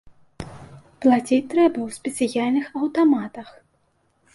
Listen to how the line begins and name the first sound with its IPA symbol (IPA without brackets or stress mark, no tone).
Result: p